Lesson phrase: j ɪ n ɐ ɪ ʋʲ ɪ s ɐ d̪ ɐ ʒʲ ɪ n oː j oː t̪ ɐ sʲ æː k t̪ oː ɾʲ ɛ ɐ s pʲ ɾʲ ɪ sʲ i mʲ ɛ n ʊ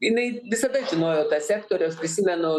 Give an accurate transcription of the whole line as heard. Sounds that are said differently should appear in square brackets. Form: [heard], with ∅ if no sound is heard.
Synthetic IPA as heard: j ɪ n ɐ ɪ ʋʲ ɪ s ɐ d̪ ɐ ʒʲ ɪ n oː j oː t̪ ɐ sʲ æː k t̪ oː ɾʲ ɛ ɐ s pʲ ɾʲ ɪ sʲ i mʲ ɛ n ʊ

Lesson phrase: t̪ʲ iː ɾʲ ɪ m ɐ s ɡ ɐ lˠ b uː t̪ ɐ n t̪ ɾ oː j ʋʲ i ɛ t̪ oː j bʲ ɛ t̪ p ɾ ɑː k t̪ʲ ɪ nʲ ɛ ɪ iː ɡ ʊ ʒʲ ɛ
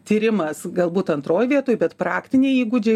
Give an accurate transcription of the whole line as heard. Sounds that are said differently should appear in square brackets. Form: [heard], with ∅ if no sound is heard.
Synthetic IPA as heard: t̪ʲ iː ɾʲ ɪ m ɐ s ɡ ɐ lˠ b uː t̪ ɐ n t̪ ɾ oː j ʋʲ i ɛ t̪ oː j bʲ ɛ t̪ p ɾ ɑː k t̪ʲ ɪ nʲ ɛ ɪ iː ɡ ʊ [d͡ʒʲ] ɛ

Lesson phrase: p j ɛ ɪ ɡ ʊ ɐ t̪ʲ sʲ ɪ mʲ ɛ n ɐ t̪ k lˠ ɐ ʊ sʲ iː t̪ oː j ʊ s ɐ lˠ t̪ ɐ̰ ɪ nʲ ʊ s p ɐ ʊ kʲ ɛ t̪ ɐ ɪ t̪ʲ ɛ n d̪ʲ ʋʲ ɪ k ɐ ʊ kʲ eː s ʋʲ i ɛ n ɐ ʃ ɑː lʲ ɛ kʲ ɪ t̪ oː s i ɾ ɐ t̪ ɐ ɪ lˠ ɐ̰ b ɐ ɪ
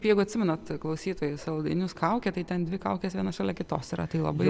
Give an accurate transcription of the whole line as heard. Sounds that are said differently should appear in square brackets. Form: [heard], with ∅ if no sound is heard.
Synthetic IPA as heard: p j ɛ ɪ ɡ ʊ ɐ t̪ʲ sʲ ɪ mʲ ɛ n ɐ t̪ k lˠ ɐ ʊ sʲ iː t̪ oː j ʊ s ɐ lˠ [d̪] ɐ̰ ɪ nʲ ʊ s [k] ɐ ʊ kʲ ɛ t̪ ɐ ɪ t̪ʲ ɛ n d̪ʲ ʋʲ ɪ k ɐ ʊ kʲ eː s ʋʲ i ɛ n ɐ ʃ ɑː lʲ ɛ kʲ ɪ t̪ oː s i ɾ ɐ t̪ ɐ ɪ lˠ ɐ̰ b ɐ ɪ

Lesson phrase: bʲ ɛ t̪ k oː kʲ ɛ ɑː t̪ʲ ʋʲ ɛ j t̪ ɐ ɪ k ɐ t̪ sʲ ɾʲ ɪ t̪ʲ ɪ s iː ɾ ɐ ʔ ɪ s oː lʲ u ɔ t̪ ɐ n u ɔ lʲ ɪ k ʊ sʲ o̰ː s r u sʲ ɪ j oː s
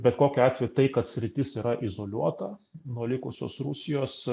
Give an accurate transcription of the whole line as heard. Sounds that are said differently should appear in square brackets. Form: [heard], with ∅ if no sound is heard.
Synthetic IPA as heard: bʲ ɛ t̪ k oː kʲ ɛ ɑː t̪ʲ ʋʲ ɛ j t̪ ɐ ɪ k ɐ t̪ sʲ ɾʲ ɪ t̪ʲ ɪ s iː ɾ ɐ ʔ ɪ [z] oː lʲ u ɔ t̪ ɐ n u ɔ lʲ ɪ k ʊ sʲ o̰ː s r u sʲ ɪ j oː s

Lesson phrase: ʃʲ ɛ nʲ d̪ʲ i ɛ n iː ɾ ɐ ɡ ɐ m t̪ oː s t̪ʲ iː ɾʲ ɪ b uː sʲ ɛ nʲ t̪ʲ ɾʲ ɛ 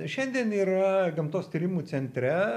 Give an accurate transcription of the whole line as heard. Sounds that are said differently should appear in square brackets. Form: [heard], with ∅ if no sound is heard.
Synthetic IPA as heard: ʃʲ ɛ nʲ d̪ʲ i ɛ n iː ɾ ɐ ɡ ɐ m t̪ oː s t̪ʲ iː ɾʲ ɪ [m] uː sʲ ɛ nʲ t̪ʲ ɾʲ ɛ

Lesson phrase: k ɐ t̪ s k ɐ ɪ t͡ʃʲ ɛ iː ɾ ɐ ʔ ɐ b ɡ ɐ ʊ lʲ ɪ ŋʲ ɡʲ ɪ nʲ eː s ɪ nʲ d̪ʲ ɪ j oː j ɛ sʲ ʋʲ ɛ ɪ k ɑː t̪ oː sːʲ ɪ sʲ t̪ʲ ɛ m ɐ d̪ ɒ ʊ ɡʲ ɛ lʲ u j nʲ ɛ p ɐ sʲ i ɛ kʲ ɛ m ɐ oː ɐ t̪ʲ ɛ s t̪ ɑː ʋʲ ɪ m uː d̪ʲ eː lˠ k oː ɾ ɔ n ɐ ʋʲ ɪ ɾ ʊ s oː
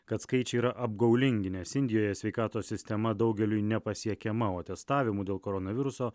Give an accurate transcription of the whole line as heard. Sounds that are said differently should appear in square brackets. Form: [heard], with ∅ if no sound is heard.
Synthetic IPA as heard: k ɐ t̪ s k ɐ ɪ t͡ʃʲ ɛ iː ɾ ɐ ʔ ɐ b ɡ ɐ ʊ lʲ ɪ ŋʲ ɡʲ ɪ nʲ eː s ɪ nʲ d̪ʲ ɪ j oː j ɛ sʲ ʋʲ ɛ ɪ k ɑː t̪ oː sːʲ ɪ sʲ t̪ʲ ɛ m ɐ d̪ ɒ ʊ ɡʲ ɛ lʲ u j nʲ ɛ p ɐ sʲ i ɛ kʲ ɛ m ɐ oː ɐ t̪ʲ ɛ s t̪ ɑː ʋʲ ɪ m uː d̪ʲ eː lˠ k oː ɾ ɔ n ɐ ʋʲ ɪ ɾ ʊ s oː

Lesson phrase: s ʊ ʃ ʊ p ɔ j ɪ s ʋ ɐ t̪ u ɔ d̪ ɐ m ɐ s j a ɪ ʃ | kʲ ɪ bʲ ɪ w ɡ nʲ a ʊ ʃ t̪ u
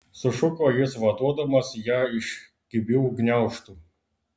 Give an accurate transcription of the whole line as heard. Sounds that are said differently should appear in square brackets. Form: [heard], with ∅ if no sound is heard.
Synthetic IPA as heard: s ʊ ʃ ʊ [k] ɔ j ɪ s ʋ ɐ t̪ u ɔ d̪ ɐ m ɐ s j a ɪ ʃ | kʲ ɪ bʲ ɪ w ɡ nʲ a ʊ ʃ t̪ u

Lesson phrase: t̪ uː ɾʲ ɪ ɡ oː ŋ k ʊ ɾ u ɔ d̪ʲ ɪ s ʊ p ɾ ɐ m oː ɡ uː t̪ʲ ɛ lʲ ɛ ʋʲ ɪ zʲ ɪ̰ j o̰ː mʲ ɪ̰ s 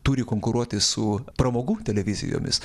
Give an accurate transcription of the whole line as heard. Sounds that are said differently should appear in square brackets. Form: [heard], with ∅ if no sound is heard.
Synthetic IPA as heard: t̪ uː ɾʲ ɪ [k] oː ŋ k ʊ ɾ u ɔ [t̪ʲ] ɪ s ʊ p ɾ ɐ m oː ɡ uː t̪ʲ ɛ lʲ ɛ ʋʲ ɪ zʲ ɪ̰ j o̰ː mʲ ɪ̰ s

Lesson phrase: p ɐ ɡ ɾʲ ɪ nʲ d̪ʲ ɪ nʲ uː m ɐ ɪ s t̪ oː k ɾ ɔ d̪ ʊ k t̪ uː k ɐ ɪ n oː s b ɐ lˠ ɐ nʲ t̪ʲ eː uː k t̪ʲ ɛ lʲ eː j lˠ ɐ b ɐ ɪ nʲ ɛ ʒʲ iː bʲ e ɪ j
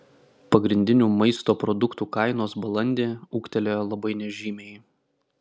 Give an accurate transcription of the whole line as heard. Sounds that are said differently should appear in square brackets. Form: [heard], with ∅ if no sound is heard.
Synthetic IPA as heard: p ɐ ɡ ɾʲ ɪ nʲ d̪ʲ ɪ nʲ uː m ɐ ɪ s t̪ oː [p] ɾ ɔ d̪ ʊ k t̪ uː k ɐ ɪ n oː s b ɐ lˠ ɐ nʲ [d̪ʲ] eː uː k t̪ʲ ɛ lʲ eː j lˠ ɐ b ɐ ɪ nʲ ɛ ʒʲ iː [mʲ] e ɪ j

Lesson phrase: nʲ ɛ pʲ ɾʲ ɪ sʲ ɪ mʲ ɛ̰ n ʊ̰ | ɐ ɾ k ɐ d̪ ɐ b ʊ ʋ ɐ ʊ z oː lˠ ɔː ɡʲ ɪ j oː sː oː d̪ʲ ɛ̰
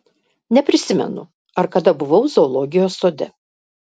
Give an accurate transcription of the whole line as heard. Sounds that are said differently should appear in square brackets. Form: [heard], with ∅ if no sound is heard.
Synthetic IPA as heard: nʲ ɛ pʲ ɾʲ ɪ sʲ ɪ mʲ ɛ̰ n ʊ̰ | ɐ ɾ k ɐ d̪ ɐ b ʊ ʋ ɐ ʊ z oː lˠ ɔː ɡʲ ɪ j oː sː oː d̪ʲ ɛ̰

